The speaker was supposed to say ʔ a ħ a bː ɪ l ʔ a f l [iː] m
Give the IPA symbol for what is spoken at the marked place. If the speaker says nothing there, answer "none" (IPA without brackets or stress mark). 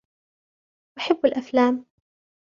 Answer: aː